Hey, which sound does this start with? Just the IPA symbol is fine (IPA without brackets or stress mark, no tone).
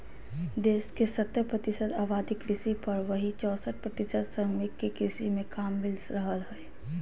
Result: d̪